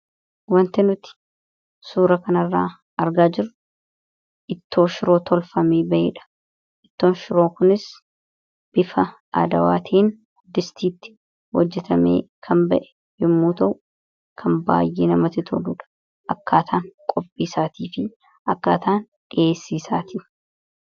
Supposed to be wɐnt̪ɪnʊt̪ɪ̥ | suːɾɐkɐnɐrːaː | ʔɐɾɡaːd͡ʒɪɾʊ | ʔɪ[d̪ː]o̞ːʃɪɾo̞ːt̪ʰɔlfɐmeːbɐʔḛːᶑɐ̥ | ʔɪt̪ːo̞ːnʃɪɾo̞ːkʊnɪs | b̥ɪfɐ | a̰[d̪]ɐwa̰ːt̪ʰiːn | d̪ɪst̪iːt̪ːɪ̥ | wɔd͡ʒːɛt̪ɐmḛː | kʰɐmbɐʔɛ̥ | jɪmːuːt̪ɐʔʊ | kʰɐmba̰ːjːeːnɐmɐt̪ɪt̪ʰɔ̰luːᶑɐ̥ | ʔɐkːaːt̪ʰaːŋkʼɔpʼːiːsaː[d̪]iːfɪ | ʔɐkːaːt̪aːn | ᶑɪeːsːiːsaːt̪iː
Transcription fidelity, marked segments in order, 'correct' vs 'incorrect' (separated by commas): incorrect, correct, incorrect